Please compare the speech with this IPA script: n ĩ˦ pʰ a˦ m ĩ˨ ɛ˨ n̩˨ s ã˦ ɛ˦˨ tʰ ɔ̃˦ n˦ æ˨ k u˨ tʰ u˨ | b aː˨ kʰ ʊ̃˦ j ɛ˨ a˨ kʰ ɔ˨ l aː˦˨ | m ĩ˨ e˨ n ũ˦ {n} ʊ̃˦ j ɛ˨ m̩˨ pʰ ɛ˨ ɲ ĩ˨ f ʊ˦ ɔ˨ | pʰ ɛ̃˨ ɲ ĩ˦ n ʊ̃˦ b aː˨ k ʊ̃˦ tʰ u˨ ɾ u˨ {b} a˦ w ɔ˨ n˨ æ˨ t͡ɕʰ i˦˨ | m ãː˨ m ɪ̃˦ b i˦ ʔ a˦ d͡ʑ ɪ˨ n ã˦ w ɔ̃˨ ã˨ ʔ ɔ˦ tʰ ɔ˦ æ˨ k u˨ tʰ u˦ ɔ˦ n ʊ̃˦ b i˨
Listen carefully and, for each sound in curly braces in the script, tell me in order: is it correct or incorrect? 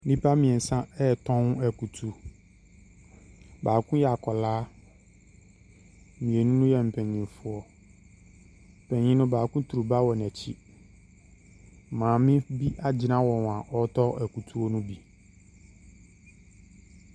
correct, correct

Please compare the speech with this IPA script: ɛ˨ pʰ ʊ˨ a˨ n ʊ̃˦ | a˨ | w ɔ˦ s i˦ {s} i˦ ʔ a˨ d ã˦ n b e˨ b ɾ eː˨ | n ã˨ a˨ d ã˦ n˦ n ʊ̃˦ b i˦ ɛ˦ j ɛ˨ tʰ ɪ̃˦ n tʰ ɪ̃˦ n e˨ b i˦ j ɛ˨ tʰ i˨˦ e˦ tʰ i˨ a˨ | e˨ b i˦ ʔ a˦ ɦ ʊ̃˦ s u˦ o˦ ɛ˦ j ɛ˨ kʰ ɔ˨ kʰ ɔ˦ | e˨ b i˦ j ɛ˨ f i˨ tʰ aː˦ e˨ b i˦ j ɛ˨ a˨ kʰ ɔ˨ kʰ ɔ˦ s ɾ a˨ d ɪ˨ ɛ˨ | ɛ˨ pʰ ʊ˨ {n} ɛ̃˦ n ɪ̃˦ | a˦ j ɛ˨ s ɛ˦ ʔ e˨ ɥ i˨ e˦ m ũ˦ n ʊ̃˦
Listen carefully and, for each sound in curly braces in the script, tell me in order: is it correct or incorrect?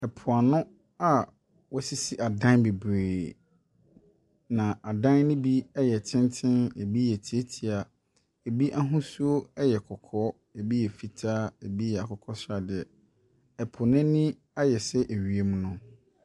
correct, correct

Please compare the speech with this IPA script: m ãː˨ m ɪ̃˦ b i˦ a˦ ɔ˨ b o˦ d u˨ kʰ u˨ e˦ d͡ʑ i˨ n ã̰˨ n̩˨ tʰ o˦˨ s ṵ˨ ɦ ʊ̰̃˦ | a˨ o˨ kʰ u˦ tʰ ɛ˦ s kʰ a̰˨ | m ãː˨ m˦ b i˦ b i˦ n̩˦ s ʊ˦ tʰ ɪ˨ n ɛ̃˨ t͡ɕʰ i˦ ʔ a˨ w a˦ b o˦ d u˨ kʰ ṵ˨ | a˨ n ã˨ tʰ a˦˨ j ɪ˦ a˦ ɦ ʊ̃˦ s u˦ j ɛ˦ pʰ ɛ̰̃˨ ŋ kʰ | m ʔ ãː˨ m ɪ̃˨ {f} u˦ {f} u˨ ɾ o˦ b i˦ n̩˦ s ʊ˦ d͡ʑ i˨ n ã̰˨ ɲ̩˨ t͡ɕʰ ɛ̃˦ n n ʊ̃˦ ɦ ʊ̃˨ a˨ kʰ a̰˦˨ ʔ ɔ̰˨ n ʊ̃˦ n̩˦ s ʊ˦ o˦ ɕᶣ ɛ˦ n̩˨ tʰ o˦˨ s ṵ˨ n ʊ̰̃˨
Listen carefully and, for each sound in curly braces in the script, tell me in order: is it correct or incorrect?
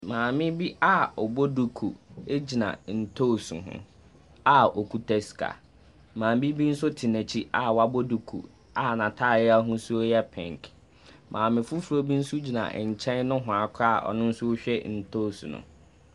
correct, correct

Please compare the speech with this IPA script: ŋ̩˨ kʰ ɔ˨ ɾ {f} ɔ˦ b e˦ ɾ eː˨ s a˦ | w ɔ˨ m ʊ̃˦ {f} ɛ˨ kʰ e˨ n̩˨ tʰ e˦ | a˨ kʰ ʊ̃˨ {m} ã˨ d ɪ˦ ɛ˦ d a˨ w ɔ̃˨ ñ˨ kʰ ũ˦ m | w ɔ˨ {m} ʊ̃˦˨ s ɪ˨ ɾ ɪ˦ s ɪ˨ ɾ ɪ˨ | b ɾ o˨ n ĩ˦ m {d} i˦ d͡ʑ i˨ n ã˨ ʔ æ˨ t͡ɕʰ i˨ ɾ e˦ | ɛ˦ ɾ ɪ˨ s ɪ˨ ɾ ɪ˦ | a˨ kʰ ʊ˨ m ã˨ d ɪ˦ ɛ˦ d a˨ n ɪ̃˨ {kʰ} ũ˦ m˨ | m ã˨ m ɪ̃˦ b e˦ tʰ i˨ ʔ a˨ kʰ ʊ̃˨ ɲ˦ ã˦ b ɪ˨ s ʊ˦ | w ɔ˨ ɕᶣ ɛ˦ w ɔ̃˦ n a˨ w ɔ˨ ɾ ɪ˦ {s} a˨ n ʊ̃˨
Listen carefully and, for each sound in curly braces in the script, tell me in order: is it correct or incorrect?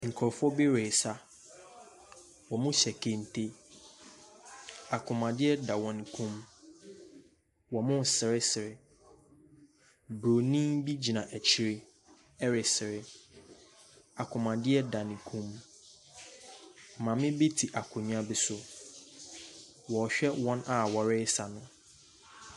correct, incorrect: ɕ, correct, correct, incorrect: b, correct, correct

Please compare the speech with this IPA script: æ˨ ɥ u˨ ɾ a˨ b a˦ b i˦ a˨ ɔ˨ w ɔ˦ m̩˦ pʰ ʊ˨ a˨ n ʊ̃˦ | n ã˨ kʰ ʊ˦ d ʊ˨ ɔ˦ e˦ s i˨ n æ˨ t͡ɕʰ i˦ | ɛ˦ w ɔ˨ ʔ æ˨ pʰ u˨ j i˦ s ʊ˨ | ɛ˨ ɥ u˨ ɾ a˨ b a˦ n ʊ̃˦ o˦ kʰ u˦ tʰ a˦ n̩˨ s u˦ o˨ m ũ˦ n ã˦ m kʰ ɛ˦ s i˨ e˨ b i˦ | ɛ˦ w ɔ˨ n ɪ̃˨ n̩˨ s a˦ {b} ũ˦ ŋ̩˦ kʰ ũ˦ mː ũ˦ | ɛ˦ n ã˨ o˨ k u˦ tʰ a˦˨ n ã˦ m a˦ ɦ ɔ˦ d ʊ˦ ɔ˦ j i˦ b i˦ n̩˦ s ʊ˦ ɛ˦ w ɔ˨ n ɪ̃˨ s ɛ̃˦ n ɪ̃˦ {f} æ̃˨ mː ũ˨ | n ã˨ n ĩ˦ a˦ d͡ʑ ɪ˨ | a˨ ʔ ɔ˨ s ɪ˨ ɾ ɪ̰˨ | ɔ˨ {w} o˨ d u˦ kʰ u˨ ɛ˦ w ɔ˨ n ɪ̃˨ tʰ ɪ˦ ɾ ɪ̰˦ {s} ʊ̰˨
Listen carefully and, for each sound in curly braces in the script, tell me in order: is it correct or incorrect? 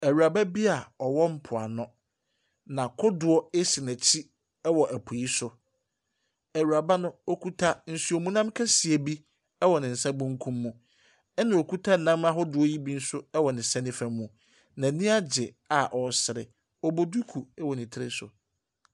correct, correct, incorrect: b, correct

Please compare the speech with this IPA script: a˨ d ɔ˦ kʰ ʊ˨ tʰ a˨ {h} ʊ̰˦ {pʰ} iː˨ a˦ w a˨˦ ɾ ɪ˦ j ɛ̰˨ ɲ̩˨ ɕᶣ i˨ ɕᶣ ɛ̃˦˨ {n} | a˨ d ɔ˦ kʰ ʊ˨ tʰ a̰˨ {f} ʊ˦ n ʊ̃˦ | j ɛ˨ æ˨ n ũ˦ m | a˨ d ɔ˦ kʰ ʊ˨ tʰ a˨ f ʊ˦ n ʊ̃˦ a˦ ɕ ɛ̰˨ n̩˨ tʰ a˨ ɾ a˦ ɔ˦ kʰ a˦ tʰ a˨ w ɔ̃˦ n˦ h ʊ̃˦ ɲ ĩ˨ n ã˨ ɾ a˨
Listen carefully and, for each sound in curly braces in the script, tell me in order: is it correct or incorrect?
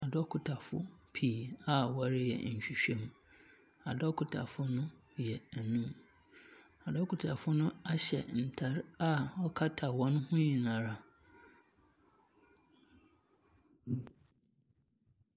incorrect: f, correct, incorrect: m, correct

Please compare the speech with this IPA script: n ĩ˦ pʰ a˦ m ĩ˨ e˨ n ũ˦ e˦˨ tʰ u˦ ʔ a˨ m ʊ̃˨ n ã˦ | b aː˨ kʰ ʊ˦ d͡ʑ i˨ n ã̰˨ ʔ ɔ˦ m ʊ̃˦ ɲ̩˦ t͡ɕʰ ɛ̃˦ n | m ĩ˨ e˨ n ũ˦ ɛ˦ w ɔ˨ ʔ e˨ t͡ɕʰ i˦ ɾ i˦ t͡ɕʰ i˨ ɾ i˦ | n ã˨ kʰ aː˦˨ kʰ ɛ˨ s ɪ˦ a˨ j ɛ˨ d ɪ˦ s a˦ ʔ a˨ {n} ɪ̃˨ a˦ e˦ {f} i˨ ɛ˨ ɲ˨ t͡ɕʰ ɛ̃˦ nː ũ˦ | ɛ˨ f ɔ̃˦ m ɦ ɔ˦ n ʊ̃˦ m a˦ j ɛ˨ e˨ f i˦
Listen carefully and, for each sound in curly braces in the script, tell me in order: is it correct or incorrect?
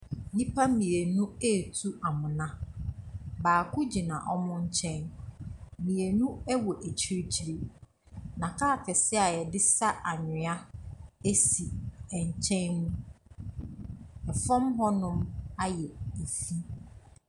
incorrect: ɲ, incorrect: s

